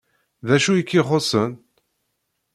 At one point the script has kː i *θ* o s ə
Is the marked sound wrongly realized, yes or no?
yes